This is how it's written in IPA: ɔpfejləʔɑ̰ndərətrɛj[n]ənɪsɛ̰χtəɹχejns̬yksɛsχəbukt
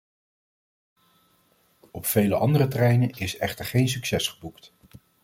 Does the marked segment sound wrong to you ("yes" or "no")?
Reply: no